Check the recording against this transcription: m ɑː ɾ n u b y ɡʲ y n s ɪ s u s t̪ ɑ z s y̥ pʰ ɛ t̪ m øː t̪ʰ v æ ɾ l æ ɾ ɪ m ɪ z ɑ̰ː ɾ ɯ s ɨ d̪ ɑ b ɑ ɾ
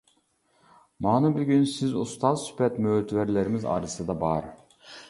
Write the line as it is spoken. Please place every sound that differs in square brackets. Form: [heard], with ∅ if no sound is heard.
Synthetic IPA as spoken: m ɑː [∅] n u b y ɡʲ y n s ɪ [z] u s t̪ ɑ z s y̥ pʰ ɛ t̪ m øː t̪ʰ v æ ɾ l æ ɾ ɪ m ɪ z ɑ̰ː ɾ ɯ s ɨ d̪ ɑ b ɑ ɾ